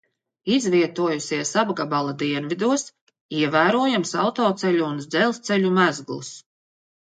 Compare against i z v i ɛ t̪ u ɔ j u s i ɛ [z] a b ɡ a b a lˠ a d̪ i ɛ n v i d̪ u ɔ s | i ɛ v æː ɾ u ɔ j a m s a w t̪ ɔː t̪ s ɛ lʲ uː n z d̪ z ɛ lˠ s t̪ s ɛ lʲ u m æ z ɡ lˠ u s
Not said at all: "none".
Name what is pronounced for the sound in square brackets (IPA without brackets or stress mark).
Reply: s